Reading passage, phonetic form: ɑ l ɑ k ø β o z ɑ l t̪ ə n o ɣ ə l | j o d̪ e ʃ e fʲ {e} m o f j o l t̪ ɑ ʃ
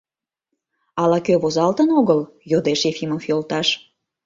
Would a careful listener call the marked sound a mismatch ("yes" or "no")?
yes